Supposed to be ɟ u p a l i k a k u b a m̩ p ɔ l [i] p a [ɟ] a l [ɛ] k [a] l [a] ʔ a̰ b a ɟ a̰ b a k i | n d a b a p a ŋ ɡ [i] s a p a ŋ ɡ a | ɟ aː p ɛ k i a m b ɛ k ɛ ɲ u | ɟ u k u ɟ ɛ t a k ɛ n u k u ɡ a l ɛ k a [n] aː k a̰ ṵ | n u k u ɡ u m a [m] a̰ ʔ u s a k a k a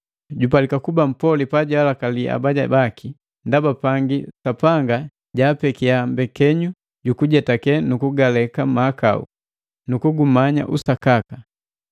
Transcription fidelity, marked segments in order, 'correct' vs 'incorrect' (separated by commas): correct, correct, incorrect, correct, incorrect, correct, incorrect, incorrect